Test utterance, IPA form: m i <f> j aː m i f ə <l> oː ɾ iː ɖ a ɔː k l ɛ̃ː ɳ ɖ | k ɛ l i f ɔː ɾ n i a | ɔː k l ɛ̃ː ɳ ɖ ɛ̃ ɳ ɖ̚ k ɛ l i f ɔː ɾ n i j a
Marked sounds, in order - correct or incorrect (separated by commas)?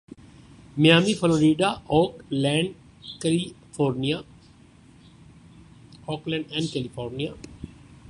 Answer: incorrect, correct